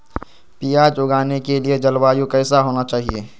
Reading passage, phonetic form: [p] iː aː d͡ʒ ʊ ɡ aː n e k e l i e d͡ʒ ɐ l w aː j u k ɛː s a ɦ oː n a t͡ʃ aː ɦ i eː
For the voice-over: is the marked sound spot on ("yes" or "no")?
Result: yes